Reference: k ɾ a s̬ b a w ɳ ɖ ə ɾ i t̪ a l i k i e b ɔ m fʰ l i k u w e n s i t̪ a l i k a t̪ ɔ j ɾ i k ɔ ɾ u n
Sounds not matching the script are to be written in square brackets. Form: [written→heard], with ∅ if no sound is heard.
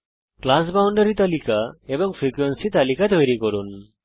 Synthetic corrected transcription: k [ɾ→l] a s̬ b a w ɳ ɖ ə ɾ i t̪ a l i k [i→a] e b ɔ [m→ŋ] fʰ [l→ɾ] i k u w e n s i t̪ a l i k a t̪ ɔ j ɾ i k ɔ ɾ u n